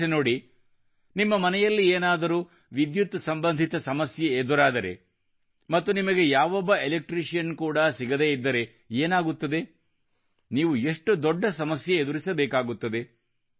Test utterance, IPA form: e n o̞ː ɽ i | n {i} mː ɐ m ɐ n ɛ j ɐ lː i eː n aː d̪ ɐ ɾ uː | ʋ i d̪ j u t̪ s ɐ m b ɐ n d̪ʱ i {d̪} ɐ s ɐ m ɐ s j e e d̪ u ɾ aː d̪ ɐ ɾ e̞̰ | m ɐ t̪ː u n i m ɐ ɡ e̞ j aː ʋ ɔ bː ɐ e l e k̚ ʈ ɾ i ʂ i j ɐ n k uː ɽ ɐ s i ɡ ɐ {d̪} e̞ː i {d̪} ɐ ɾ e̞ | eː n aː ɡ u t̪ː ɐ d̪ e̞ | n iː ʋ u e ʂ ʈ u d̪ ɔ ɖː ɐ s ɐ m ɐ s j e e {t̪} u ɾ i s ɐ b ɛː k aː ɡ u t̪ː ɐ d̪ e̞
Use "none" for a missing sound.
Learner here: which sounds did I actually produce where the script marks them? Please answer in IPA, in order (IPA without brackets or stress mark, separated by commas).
i, t̪, d̪, d̪ː, d̪